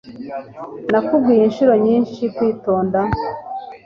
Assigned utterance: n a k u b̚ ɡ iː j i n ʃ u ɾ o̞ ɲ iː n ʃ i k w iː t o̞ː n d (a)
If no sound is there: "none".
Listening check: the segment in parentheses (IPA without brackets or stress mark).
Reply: a